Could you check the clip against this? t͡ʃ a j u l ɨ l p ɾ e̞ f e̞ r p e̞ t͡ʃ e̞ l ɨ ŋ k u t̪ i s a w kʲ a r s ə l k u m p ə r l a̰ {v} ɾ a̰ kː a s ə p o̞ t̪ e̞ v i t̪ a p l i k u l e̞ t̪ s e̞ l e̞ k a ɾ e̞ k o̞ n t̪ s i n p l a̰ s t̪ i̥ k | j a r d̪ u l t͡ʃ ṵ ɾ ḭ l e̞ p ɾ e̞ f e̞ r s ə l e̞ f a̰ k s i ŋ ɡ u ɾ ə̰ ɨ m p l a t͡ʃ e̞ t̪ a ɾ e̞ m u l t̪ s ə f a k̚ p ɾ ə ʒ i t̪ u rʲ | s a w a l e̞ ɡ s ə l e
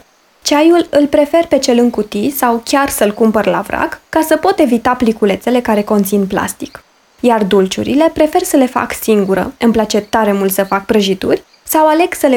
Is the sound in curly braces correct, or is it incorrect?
correct